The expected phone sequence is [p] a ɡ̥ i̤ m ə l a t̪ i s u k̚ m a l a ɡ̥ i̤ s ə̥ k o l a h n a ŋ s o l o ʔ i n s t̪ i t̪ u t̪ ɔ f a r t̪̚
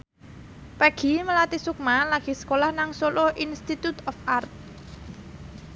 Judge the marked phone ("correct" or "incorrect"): correct